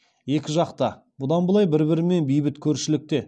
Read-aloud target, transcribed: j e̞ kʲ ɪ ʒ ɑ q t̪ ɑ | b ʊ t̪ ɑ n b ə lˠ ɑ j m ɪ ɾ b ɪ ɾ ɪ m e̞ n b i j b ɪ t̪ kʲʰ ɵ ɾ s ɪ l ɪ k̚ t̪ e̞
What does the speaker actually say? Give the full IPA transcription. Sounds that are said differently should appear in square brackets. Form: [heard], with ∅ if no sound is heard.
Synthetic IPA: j e̞ kʲ ɪ ʒ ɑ q t̪ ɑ | b ʊ [d̪] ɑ n b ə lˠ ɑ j [b] ɪ ɾ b ɪ ɾ ɪ m e̞ n b i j b ɪ t̪ kʲʰ ɵ ɾ [ʃ] ɪ l ɪ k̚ t̪ e̞